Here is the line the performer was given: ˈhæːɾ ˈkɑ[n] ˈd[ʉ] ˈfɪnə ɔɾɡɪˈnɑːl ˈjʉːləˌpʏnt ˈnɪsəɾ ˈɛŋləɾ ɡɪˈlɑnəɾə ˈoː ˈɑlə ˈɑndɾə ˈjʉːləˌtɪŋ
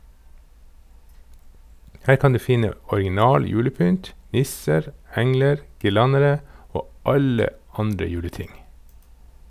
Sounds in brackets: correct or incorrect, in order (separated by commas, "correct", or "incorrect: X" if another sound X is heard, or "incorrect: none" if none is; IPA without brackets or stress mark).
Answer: correct, incorrect: ʉː